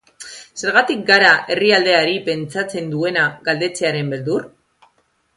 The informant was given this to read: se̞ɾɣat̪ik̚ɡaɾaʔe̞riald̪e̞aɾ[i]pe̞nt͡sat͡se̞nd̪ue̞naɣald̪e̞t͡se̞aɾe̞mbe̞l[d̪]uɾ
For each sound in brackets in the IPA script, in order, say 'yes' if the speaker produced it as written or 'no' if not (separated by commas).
yes, yes